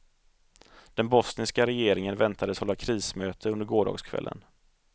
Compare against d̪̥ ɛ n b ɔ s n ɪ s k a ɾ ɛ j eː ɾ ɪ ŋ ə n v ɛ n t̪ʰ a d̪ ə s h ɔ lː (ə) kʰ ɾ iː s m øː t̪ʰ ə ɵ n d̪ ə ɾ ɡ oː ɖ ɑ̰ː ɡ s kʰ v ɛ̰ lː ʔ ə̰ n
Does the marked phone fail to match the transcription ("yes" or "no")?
yes